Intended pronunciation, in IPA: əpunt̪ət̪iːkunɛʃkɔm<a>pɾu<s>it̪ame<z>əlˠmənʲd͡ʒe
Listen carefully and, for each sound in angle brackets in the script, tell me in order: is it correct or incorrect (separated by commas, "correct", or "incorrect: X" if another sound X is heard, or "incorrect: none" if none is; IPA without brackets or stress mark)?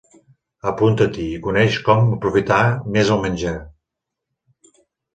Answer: incorrect: ə, incorrect: f, correct